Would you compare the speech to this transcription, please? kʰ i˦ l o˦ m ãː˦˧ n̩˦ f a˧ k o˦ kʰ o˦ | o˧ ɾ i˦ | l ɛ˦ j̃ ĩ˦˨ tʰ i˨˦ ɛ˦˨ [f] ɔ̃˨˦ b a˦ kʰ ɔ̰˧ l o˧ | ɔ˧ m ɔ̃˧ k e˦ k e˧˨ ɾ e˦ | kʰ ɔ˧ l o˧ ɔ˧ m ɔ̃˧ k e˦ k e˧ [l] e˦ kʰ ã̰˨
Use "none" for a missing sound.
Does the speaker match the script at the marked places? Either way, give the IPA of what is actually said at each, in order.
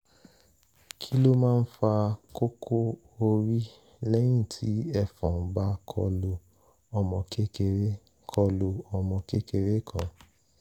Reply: f, ɾ

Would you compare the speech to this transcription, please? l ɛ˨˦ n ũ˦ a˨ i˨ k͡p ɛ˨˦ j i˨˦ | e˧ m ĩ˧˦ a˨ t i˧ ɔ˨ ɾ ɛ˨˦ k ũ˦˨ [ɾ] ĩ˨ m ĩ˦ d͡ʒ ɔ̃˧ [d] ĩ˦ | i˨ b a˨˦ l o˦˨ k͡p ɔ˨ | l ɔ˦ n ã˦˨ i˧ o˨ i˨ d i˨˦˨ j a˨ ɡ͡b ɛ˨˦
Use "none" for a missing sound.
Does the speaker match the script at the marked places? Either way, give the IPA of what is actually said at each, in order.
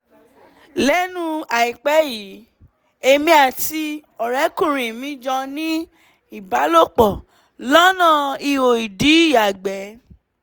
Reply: ɾ, n

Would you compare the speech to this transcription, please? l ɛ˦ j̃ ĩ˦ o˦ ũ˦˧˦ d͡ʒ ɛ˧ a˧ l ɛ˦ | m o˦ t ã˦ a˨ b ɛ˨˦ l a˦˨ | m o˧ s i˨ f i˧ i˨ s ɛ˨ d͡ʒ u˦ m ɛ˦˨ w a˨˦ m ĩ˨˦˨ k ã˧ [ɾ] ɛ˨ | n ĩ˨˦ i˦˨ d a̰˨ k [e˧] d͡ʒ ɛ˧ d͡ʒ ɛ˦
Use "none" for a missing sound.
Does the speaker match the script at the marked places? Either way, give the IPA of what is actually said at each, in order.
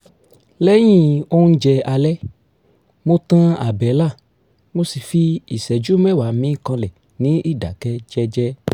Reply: l, ɛ˧

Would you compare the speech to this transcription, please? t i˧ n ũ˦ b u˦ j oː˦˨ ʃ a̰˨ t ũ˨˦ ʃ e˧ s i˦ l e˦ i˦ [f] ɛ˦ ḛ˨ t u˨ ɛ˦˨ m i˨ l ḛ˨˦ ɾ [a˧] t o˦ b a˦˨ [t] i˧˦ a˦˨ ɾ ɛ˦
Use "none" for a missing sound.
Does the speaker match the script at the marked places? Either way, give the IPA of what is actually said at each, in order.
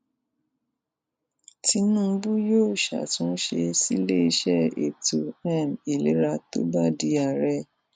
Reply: ʃ, a˧, d

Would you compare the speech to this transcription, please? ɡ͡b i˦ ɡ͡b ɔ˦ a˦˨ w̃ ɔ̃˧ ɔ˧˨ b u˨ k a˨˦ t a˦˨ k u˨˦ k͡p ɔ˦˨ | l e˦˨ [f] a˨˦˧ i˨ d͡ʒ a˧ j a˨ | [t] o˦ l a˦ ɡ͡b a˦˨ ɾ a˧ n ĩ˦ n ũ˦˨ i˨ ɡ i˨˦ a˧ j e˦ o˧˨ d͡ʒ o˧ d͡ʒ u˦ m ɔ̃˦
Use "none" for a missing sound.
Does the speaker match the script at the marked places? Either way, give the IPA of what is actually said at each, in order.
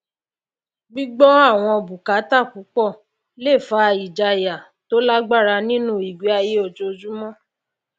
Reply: f, t

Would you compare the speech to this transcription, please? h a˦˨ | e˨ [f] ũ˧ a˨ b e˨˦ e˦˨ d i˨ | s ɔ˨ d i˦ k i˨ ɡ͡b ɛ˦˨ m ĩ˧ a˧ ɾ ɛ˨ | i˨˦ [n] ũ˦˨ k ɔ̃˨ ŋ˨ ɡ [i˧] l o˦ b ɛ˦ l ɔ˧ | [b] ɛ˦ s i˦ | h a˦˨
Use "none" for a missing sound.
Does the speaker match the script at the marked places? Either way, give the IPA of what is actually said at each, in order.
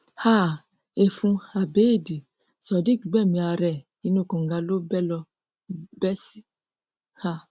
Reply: f, n, a˧, b

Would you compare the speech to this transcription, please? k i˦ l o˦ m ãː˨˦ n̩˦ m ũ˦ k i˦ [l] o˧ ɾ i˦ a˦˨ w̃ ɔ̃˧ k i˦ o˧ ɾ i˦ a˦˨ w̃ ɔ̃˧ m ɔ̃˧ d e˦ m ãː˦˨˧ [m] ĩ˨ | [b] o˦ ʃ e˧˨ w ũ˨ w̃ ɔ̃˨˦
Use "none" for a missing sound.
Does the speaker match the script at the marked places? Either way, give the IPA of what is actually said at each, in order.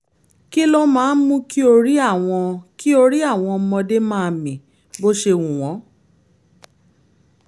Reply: none, m, b

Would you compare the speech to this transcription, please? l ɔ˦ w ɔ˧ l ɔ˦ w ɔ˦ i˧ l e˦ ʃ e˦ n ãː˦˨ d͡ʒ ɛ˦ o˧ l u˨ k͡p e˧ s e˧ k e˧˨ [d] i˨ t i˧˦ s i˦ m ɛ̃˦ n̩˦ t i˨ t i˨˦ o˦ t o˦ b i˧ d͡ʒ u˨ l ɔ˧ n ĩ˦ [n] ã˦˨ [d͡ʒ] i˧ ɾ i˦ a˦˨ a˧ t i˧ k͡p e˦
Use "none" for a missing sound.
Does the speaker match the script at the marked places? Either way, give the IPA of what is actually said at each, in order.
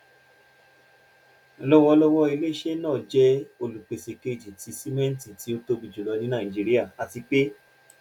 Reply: d͡ʒ, n, d͡ʒ

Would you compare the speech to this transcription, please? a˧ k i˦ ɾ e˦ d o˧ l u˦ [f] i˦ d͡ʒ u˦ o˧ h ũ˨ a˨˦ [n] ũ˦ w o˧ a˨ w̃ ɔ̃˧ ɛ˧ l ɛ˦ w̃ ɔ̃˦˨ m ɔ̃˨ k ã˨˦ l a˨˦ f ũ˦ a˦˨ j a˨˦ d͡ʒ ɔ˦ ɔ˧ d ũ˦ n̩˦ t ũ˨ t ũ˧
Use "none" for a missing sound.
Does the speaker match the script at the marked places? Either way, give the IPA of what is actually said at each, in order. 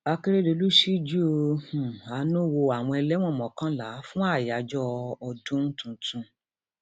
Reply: ʃ, n

